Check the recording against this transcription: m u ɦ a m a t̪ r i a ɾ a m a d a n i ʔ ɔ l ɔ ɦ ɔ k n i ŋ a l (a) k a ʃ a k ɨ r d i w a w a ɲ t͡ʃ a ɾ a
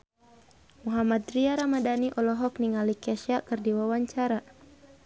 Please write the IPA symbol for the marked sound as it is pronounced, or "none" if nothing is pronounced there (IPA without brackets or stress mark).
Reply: i